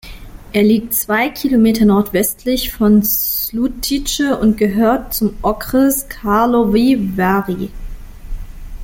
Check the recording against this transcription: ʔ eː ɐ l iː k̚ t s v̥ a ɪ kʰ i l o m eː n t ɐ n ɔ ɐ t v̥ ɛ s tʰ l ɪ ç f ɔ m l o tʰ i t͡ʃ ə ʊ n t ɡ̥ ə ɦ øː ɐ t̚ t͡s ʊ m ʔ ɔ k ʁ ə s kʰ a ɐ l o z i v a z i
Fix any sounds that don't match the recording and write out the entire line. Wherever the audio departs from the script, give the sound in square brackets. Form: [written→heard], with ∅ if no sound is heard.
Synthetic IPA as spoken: ʔ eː ɐ l iː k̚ t [s→t͡s] v̥ a ɪ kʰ i l o m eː [n→∅] t ɐ n ɔ ɐ t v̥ ɛ s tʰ l ɪ ç f ɔ [m→n] l [o→u] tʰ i t͡ʃ ə ʊ n t ɡ̥ ə ɦ øː ɐ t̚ t͡s ʊ m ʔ ɔ k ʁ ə s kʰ a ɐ l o [z→v] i v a [z→ʁ] i